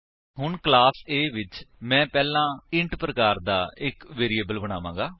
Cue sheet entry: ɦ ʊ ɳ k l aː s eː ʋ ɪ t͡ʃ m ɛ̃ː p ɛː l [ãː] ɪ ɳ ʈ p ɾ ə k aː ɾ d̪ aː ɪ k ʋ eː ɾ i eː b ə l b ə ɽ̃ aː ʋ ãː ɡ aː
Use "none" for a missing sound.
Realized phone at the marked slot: ãː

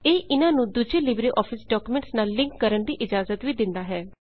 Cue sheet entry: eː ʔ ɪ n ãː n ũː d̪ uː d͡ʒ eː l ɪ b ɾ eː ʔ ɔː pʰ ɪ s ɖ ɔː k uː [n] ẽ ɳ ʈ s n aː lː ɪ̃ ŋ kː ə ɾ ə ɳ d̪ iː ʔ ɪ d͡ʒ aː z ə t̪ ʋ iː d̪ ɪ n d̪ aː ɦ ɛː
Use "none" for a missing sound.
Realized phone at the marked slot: m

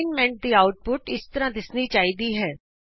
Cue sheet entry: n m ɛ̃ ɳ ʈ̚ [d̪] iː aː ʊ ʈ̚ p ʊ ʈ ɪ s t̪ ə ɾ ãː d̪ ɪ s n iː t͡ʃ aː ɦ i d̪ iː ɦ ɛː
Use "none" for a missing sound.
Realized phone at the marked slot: d̪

